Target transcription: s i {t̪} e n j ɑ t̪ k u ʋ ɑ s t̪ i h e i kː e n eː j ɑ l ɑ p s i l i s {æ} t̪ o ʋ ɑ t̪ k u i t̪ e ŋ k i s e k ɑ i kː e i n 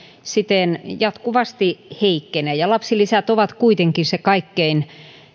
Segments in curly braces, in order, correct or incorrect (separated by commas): correct, correct